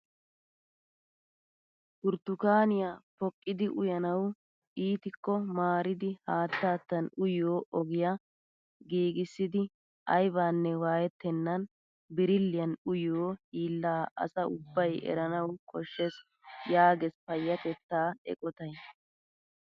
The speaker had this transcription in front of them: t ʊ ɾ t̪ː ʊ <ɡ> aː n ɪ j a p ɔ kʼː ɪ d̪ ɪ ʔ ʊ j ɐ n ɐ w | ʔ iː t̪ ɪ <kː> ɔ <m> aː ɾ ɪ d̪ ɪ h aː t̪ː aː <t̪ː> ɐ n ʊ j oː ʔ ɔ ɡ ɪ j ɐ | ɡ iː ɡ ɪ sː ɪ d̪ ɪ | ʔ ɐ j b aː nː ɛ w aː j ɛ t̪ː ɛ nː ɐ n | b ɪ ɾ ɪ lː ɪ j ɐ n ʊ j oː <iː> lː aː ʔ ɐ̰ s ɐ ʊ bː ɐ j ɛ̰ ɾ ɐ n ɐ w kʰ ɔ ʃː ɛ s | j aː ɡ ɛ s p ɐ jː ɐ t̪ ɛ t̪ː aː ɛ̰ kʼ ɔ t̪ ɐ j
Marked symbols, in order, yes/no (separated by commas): no, yes, yes, yes, yes